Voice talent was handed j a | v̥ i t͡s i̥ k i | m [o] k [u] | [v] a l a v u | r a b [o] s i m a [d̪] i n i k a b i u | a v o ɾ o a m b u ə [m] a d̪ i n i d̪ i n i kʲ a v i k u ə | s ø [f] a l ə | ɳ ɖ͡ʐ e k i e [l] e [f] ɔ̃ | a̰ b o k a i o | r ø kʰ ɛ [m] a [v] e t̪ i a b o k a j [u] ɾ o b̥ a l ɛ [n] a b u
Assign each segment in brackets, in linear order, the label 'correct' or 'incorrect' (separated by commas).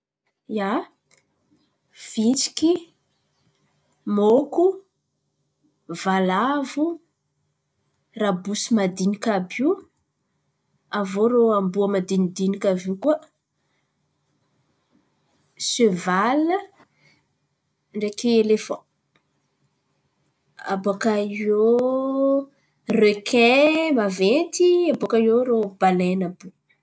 correct, correct, correct, incorrect, correct, correct, incorrect, correct, correct, correct, correct, incorrect, correct